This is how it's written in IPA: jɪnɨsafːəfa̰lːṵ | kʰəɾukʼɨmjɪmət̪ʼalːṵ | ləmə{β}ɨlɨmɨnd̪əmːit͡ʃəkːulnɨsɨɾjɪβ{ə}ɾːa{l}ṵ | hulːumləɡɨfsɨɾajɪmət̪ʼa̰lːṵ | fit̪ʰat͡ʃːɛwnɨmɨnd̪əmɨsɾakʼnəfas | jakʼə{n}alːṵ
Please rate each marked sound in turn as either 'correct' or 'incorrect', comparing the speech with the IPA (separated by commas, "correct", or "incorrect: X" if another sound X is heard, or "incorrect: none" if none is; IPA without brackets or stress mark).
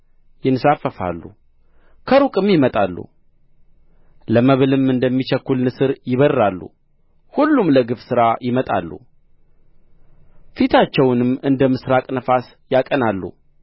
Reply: correct, correct, incorrect: lː, correct